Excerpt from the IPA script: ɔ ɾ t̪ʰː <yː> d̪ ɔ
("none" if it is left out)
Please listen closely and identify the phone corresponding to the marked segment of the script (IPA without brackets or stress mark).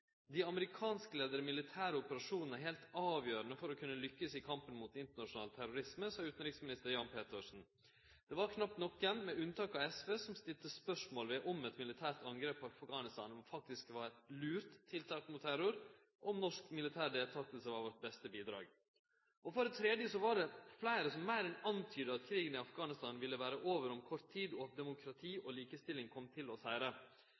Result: iː